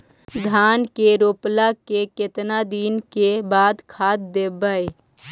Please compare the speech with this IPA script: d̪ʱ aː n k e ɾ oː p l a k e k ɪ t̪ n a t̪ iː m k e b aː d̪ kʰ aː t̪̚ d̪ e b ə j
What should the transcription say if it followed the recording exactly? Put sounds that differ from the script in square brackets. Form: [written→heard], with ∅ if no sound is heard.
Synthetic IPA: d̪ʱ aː n k e ɾ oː p l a k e k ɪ t̪ n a [t̪→d̪] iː [m→n] k e b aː d̪ kʰ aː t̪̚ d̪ e b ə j